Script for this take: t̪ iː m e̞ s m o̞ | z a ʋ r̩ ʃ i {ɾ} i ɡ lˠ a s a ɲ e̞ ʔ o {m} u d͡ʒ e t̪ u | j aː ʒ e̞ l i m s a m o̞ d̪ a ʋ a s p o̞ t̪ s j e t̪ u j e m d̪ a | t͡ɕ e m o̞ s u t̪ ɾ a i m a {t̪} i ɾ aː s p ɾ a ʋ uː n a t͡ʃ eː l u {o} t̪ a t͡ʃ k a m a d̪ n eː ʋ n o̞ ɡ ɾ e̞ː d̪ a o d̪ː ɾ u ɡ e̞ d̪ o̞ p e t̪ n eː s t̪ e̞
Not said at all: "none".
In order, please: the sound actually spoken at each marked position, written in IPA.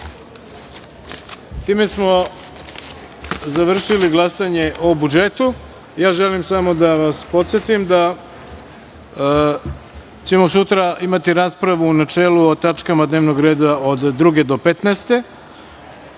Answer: l, b, t̪, o

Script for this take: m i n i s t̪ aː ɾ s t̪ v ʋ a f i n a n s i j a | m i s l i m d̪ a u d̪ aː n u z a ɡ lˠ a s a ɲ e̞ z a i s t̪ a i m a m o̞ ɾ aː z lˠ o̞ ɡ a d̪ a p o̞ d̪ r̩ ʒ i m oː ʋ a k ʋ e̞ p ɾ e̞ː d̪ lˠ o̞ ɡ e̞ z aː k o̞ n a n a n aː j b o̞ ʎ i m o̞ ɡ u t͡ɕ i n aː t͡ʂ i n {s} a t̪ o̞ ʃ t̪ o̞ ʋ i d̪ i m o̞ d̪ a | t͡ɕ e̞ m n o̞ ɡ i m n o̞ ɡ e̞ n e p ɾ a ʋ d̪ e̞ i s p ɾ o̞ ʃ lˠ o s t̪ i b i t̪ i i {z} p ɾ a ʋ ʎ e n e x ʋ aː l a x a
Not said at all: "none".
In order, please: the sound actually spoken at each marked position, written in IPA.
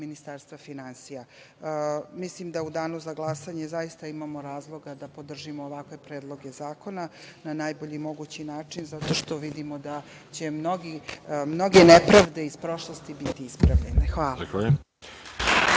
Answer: z, s

